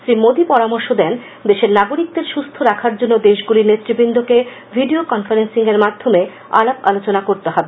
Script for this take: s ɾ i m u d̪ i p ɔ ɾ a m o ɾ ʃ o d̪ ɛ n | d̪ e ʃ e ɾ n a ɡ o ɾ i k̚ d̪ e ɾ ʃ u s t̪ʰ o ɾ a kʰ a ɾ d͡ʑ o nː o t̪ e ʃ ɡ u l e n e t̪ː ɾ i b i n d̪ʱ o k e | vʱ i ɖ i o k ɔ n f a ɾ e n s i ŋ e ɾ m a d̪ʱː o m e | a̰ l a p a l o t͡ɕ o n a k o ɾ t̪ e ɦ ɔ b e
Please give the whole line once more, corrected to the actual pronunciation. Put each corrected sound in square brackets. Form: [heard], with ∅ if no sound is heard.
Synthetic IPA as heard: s ɾ i m [o] d̪ i p ɔ ɾ a m o ɾ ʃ o d̪ ɛ n | d̪ e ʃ e ɾ n a ɡ o ɾ i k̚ d̪ e ɾ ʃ u s t̪ʰ o ɾ a kʰ a ɾ d͡ʑ o nː o [d̪] e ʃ ɡ u l [i] n e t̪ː ɾ i b i n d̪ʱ o k e | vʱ i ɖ i o k ɔ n f a ɾ e n s i ŋ e ɾ m a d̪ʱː o m e | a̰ l a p a l o t͡ɕ o n a k o ɾ t̪ e ɦ ɔ b e